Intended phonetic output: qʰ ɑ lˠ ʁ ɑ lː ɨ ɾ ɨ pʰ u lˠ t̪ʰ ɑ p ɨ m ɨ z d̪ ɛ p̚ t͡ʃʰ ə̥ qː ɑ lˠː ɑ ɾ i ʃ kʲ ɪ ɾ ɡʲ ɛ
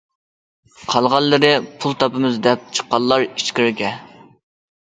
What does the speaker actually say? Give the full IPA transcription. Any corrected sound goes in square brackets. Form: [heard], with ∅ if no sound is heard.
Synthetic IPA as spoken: qʰ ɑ lˠ ʁ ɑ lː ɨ ɾ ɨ pʰ u lˠ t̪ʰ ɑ p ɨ m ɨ z d̪ ɛ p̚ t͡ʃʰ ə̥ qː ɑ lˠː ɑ ɾ i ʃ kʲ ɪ ɾ ɡʲ ɛ